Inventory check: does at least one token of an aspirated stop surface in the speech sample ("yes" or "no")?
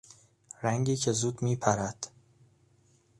yes